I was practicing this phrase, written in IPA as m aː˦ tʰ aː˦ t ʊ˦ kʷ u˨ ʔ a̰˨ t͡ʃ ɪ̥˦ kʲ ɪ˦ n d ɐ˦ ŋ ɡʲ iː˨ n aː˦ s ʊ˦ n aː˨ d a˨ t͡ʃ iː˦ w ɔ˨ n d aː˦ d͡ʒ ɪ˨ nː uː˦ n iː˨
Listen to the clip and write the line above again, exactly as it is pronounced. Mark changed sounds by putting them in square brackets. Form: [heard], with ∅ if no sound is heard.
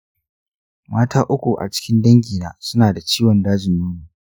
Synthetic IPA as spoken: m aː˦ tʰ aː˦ [ʔ] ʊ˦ kʷ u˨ ʔ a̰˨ t͡ʃ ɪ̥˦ kʲ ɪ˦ n d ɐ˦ ŋ ɡʲ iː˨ n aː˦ s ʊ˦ n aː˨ d a˨ t͡ʃ iː˦ w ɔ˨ n d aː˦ d͡ʒ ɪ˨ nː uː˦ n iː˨